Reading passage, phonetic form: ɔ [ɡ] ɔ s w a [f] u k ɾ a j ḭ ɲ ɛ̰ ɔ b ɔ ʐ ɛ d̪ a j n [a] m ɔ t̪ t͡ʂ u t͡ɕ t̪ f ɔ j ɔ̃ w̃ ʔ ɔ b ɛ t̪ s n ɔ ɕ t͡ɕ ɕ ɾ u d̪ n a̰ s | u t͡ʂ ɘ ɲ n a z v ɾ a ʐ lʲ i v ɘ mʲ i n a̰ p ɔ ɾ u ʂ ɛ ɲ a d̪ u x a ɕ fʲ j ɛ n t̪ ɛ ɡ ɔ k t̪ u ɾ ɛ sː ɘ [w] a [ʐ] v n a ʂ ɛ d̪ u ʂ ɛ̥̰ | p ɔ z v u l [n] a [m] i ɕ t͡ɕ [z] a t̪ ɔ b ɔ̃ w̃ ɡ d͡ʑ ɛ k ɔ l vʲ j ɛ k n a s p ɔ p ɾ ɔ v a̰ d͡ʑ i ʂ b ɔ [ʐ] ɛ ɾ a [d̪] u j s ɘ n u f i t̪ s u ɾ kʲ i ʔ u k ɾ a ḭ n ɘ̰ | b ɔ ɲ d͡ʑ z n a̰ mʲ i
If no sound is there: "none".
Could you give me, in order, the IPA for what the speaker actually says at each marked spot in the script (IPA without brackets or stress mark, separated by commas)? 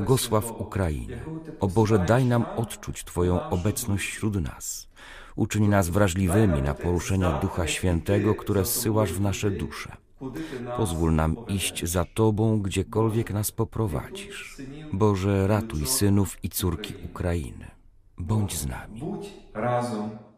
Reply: ɡ, f, a, w, ʐ, n, m, z, ʐ, t̪